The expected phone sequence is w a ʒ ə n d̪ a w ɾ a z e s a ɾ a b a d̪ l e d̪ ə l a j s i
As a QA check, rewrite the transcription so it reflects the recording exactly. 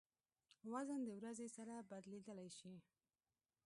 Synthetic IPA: w a z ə n d̪ ə w ɾ a z e s a ɾ a b a d̪ l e d̪ ə l a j ʃ i